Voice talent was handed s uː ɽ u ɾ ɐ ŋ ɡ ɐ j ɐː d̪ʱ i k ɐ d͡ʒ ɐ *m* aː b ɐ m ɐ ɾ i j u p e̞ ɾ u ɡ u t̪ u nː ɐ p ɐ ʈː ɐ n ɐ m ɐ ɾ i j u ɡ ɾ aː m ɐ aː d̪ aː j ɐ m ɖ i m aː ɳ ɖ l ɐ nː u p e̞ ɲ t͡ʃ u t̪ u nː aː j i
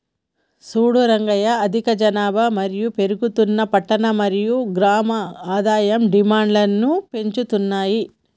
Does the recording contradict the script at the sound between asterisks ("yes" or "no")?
yes